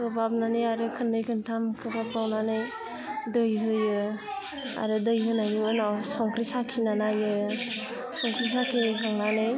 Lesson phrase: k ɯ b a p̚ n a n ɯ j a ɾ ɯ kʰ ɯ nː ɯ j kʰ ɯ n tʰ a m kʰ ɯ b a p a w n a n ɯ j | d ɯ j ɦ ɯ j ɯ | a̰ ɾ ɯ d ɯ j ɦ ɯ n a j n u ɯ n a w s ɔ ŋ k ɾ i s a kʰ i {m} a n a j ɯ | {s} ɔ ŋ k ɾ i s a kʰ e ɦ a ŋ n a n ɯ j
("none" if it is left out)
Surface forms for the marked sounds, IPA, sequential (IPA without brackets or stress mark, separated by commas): n, s